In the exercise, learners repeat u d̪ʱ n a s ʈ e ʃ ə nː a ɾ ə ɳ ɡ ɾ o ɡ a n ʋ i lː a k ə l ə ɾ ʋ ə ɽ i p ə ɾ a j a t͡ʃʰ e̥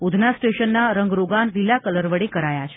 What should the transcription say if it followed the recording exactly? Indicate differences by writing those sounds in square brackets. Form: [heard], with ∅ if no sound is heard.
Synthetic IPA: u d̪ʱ n a s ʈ e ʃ ə nː a ɾ ə [ŋ] ɡ ɾ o ɡ a n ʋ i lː a k ə l ə ɾ ʋ ə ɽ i [k] ə ɾ a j a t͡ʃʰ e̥